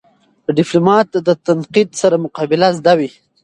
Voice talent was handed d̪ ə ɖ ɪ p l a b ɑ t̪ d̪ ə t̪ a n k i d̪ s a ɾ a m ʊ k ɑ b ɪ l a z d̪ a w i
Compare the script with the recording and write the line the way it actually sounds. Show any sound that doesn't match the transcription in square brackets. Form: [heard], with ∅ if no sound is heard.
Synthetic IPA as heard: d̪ ə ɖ ɪ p l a [m] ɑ t̪ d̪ ə t̪ a n [q] i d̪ s a ɾ a m ʊ [q] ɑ b ɪ l a z d̪ a w i